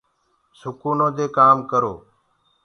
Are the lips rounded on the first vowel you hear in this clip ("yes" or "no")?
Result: yes